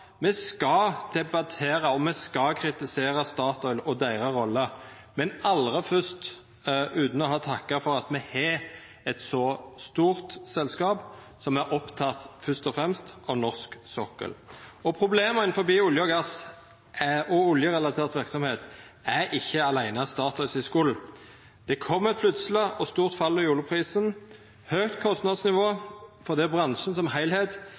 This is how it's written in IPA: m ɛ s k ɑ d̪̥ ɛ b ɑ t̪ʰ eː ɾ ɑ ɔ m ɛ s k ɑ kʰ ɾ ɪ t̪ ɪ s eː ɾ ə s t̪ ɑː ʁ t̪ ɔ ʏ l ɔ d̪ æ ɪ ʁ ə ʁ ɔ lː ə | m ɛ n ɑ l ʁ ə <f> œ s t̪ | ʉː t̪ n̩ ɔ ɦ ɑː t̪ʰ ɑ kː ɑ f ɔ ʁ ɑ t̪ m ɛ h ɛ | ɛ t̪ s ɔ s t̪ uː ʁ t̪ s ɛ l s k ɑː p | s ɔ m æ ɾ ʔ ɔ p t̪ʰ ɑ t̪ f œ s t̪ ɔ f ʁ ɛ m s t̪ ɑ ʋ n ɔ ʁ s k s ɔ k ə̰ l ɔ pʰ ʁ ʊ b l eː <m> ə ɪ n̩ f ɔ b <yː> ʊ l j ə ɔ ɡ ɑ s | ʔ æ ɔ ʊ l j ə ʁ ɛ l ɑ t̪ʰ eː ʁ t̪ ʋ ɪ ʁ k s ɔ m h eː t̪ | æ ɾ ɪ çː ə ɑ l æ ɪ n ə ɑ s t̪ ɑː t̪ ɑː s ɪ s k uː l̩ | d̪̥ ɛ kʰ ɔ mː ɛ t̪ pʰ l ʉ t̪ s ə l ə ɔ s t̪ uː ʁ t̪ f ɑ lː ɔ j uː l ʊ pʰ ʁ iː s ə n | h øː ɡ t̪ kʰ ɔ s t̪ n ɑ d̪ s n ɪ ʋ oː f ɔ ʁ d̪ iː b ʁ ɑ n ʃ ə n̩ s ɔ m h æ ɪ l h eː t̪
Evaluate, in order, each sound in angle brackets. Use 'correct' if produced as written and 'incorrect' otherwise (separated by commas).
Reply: correct, correct, incorrect